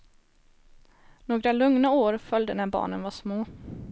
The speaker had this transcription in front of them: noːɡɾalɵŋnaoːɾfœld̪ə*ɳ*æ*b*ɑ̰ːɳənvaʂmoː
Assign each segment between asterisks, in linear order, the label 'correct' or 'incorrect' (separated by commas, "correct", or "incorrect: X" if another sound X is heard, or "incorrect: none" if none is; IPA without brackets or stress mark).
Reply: incorrect: n, correct